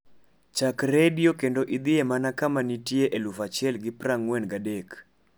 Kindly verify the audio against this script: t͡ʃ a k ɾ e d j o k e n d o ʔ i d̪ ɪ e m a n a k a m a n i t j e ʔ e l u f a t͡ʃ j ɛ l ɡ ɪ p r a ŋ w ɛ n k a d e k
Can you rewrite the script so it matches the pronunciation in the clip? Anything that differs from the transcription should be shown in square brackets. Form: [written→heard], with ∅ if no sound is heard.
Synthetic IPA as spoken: t͡ʃ a k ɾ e d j o k e n d o ʔ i d̪ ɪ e m a n a k a m a n i t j e ʔ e l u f a t͡ʃ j ɛ l ɡ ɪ p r a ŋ w ɛ n [k→ɡ] a d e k

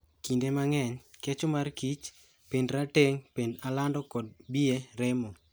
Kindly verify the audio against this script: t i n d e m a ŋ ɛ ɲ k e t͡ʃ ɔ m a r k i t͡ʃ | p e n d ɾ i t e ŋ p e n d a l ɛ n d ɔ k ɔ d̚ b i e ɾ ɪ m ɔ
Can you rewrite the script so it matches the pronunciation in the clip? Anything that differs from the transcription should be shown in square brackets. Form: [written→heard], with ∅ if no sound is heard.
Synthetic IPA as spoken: [t→k] i n d e m a ŋ ɛ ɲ k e t͡ʃ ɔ m a r k i t͡ʃ | p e n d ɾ [i→a] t e ŋ p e n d a l [ɛ→a] n d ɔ k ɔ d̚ b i e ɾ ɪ m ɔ

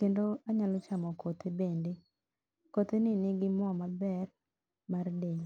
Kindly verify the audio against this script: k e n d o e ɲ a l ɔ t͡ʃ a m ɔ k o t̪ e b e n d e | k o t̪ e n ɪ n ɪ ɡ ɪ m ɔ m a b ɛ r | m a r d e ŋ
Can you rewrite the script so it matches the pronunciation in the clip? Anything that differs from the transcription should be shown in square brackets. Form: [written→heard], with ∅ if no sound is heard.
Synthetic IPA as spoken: k e n d o [e→a] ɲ a l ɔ t͡ʃ a m ɔ k o t̪ e b e n d e | k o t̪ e n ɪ n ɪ ɡ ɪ m ɔ m a b ɛ r | m a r d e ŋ

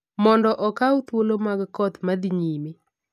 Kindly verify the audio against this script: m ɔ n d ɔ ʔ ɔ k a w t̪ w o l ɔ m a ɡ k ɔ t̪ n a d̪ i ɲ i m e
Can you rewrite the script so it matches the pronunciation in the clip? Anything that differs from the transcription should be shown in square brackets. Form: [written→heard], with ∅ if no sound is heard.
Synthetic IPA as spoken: m ɔ n d ɔ ʔ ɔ k a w t̪ w o l [ɔ→o] m a ɡ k ɔ t̪ [n→m] a d̪ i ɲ i m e

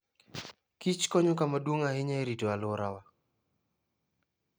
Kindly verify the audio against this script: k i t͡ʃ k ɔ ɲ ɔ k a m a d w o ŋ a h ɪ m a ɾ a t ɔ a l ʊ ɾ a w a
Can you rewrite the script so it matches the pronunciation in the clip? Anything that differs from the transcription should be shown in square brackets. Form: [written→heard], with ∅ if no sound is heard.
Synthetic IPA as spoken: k i t͡ʃ k ɔ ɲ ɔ k a m a d w o ŋ a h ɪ [m→ɲ] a ɾ [a→i] t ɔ a l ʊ ɾ a w a

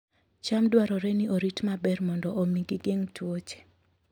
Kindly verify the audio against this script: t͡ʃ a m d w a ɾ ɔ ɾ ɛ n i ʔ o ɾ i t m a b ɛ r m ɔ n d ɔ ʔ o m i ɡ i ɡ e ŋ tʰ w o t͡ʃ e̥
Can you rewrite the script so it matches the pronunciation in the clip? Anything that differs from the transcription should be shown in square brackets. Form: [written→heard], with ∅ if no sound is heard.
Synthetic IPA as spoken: t͡ʃ a m d w a ɾ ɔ ɾ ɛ n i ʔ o ɾ i t m a b ɛ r m ɔ n d ɔ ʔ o m i ɡ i ɡ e ŋ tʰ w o t͡ʃ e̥

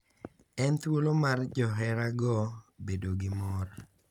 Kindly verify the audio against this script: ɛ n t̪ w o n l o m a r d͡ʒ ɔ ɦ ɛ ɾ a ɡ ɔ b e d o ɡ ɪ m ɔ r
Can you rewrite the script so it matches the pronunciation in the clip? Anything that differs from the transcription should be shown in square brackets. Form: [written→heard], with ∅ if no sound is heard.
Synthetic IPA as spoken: ɛ n t̪ w o [n→∅] l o m a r d͡ʒ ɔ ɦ ɛ ɾ a ɡ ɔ b e d o ɡ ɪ m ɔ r

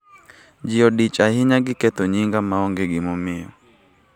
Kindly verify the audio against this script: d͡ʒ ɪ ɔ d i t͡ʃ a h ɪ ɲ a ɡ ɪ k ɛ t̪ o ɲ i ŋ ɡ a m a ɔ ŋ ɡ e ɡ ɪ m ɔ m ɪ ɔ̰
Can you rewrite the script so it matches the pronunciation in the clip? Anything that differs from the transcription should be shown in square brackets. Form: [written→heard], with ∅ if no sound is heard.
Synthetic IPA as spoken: d͡ʒ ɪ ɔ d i t͡ʃ a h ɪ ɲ a ɡ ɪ k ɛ t̪ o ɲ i ŋ ɡ a m a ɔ ŋ ɡ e ɡ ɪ m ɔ m ɪ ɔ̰

